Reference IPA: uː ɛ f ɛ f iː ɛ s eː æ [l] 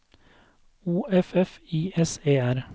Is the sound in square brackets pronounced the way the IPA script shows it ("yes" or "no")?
no